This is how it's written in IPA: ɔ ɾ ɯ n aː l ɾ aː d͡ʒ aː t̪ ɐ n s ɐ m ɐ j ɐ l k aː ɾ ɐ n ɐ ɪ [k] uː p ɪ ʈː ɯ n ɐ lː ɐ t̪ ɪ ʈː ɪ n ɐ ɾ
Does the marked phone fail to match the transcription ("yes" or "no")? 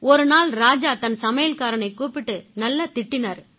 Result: no